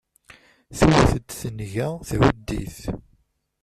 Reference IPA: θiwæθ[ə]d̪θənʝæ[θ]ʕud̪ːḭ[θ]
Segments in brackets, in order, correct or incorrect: correct, correct, correct

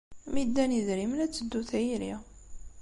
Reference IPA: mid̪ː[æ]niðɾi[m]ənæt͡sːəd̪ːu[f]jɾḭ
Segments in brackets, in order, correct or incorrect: correct, correct, incorrect

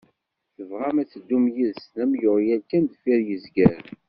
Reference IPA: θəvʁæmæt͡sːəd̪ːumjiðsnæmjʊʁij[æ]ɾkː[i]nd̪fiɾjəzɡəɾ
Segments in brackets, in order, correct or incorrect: correct, incorrect

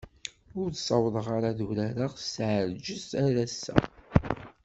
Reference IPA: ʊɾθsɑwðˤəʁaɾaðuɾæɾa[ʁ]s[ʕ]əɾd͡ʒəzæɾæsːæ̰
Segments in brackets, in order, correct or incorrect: correct, correct

